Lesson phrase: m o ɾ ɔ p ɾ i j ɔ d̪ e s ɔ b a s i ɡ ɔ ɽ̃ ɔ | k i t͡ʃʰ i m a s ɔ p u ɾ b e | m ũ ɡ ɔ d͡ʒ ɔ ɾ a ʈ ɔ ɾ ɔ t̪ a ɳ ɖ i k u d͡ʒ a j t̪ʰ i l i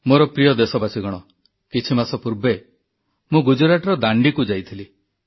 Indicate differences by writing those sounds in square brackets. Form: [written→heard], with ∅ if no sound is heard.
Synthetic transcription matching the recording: m o ɾ ɔ p ɾ i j ɔ d̪ e s ɔ b a s i ɡ ɔ ɽ̃ ɔ | k i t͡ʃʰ i m a s ɔ p u ɾ b e | m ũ ɡ [ɔ→u] d͡ʒ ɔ ɾ a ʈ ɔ ɾ ɔ [t̪→d̪] a ɳ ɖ i k u d͡ʒ a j t̪ʰ i l i